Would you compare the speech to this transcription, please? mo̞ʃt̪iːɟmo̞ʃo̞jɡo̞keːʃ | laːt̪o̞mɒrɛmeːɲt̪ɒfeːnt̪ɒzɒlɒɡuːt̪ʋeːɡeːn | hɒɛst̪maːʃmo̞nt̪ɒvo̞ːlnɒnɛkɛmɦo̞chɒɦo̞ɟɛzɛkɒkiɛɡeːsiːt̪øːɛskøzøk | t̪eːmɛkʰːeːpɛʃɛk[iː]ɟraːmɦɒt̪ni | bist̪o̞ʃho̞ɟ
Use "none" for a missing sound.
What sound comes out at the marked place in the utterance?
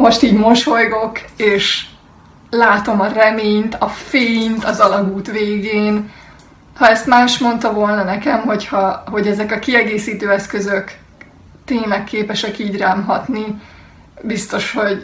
iː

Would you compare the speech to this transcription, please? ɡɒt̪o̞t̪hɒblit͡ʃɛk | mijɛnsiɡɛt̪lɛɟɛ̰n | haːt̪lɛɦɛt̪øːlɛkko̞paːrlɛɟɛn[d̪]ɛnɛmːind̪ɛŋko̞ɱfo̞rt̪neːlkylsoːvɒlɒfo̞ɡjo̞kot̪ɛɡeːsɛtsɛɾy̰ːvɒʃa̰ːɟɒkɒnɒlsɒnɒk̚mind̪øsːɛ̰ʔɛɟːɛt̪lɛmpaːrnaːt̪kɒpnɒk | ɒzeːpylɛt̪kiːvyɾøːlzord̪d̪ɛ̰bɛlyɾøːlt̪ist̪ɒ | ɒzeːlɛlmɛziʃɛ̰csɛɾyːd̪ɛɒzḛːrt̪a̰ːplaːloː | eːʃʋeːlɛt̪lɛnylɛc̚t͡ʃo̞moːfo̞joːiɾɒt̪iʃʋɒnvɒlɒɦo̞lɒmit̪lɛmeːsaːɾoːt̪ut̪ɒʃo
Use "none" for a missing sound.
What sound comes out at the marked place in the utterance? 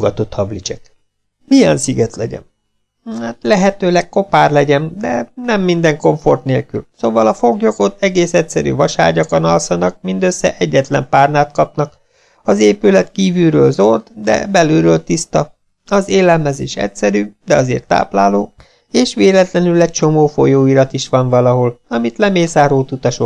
d̪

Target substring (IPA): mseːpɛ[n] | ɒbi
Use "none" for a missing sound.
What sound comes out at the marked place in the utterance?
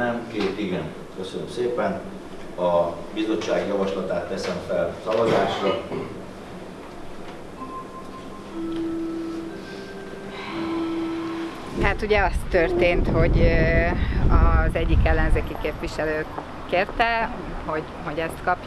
n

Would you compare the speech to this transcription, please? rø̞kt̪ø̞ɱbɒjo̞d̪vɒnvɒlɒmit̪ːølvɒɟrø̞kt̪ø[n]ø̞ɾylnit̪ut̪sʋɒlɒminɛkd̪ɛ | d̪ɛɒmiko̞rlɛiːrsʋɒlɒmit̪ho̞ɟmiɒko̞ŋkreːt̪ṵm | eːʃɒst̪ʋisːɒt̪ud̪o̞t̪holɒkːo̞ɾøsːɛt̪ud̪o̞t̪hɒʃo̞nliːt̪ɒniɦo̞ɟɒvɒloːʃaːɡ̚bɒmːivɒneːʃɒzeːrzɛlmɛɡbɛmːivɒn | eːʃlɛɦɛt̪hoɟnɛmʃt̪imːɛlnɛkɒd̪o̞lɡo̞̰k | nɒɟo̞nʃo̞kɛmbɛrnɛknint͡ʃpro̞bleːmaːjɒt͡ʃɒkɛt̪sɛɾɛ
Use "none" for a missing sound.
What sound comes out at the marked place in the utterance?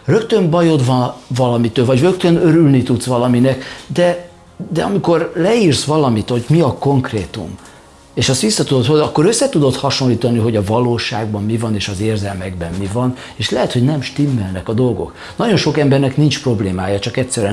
n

